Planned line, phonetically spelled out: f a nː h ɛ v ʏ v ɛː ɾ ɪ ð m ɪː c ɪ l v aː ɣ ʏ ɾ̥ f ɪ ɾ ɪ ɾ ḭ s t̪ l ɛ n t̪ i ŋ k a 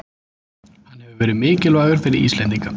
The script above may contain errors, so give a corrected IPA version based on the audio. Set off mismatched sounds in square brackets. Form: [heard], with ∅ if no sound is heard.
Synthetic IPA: [h] a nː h ɛ v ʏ v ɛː ɾ ɪ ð m ɪː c ɪ l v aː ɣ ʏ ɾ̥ f ɪ ɾ ɪ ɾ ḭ s t̪ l ɛ n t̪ i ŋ k a